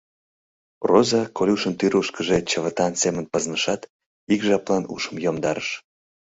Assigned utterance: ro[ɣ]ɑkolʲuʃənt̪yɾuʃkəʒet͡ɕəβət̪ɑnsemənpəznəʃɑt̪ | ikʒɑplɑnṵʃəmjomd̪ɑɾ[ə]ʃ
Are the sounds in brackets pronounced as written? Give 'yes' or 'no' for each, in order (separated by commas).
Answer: no, yes